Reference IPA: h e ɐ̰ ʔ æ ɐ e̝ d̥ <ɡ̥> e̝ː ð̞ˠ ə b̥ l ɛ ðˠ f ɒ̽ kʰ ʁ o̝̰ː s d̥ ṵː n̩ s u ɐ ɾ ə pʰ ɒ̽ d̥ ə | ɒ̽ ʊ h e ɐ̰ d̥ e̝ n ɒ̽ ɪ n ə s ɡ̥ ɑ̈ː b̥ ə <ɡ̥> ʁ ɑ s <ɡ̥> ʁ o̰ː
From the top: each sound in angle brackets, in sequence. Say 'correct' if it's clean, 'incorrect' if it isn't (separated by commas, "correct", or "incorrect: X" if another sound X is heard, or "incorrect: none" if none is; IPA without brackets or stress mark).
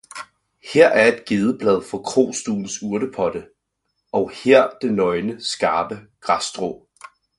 correct, correct, incorrect: d̥